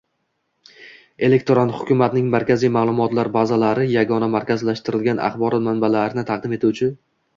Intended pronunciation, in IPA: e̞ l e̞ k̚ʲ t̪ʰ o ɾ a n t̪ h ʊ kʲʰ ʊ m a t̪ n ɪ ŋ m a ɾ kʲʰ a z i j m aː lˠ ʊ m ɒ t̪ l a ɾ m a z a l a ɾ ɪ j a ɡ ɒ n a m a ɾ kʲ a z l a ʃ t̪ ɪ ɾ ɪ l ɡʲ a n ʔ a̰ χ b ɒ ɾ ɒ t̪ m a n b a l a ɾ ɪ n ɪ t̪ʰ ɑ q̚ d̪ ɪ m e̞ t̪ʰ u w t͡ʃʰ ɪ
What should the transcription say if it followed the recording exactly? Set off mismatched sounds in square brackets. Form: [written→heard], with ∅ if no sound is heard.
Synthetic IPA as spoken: e̞ l e̞ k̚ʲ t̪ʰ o ɾ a n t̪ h ʊ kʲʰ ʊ m a t̪ n ɪ ŋ m a ɾ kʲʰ a z i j m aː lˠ ʊ m ɒ t̪ l a ɾ [m→b] a z a l a ɾ ɪ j a ɡ ɒ n a m a ɾ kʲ a z l a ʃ t̪ ɪ ɾ ɪ l ɡʲ a n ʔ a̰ χ b ɒ ɾ ɒ t̪ m a n b a l a ɾ ɪ n ɪ t̪ʰ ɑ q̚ d̪ ɪ m e̞ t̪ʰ u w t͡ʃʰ ɪ